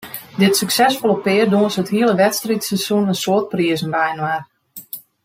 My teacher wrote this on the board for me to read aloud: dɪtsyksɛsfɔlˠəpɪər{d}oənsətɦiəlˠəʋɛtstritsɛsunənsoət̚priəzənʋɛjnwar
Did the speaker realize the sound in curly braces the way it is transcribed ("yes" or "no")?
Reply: yes